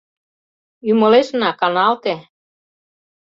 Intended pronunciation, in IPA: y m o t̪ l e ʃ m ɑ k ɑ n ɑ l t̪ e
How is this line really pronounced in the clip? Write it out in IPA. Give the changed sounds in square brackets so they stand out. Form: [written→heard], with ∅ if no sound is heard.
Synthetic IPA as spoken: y m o [t̪→∅] l e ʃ [m→n] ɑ k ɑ n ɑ l t̪ e